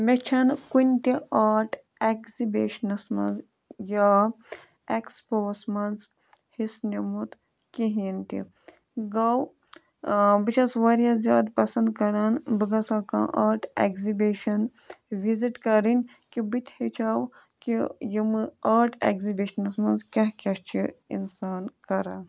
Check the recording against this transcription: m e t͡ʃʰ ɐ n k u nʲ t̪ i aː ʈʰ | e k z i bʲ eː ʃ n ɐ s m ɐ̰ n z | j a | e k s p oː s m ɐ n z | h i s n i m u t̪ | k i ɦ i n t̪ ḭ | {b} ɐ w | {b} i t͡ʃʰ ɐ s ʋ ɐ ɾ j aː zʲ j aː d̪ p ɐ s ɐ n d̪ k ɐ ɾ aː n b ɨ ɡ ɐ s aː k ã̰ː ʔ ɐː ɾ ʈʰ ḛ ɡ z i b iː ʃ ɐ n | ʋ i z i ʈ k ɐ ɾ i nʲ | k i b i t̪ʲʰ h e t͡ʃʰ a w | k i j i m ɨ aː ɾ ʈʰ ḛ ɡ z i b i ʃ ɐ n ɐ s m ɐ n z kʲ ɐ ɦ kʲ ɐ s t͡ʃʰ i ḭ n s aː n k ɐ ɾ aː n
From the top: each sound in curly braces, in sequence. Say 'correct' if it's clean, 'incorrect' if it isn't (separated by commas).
incorrect, correct